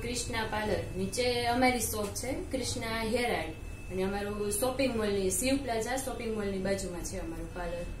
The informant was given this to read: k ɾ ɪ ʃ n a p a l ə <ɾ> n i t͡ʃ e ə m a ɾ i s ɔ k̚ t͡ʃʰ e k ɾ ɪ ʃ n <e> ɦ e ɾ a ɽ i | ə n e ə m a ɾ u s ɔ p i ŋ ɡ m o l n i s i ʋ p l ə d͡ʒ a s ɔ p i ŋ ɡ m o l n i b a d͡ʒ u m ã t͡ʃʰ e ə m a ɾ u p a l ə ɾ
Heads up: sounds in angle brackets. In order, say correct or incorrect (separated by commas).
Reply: correct, incorrect